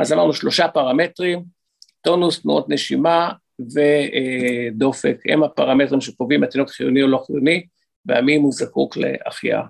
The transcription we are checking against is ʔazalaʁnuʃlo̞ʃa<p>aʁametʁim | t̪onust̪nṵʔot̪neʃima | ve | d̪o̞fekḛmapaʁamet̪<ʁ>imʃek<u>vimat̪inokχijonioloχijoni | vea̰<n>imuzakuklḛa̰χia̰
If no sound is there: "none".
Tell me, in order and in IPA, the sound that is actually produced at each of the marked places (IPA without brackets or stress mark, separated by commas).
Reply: p, ʁ, o, m